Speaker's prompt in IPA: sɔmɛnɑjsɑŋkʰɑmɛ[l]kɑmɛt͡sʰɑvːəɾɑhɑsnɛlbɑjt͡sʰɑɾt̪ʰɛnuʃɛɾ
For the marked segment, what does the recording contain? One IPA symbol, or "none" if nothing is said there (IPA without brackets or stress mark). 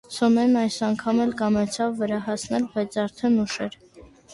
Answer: l